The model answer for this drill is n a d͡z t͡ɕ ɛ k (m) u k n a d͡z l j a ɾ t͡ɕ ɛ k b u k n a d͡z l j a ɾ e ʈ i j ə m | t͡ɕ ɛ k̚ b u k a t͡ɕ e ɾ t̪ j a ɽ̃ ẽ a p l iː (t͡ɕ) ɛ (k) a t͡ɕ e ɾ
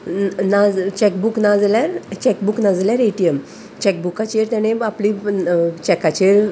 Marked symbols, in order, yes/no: no, yes, yes

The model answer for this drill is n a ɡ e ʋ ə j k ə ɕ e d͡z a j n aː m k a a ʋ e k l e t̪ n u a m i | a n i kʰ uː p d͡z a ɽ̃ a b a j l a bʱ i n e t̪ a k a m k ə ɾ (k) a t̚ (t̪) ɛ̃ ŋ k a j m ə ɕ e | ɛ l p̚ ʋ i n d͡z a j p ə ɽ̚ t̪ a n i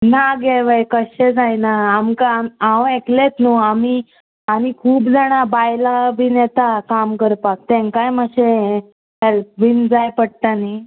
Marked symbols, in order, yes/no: no, yes

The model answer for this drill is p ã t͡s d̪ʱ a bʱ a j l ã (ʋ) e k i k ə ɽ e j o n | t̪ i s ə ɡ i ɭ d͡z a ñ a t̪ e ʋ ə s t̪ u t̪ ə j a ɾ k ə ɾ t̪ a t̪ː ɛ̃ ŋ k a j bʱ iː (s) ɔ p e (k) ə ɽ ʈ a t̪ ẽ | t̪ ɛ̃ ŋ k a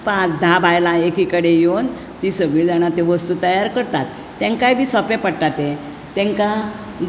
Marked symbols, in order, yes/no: no, yes, no

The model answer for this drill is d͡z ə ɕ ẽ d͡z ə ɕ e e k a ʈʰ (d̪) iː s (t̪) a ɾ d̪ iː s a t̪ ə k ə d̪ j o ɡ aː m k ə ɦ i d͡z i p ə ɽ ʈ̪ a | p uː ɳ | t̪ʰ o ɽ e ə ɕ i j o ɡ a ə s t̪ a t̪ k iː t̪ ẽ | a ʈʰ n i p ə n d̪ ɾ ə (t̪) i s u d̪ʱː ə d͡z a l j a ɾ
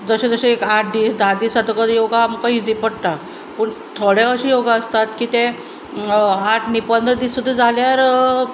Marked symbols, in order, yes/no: yes, no, no

